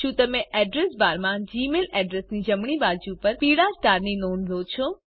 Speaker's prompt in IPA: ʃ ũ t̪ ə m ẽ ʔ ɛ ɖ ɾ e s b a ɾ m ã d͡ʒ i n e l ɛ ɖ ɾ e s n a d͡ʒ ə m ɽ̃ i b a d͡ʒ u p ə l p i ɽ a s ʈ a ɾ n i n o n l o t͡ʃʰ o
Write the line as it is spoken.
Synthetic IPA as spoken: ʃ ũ t̪ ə m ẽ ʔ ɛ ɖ ɾ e s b a ɾ m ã d͡ʒ i m e l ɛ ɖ ɾ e s n i d͡ʒ ə m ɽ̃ i b a d͡ʒ u p ə ɾ p i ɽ a s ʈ a ɾ n i n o n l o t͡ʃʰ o